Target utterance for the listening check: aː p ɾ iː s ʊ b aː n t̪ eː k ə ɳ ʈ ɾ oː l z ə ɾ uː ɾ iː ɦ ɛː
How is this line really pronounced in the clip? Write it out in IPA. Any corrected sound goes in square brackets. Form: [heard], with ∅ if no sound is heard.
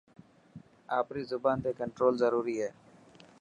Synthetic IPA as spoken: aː p ɾ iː [z] ʊ b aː n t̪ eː k ə ɳ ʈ ɾ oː l z ə ɾ uː ɾ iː ɦ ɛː